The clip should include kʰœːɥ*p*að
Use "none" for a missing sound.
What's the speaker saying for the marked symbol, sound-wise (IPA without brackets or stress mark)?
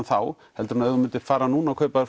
p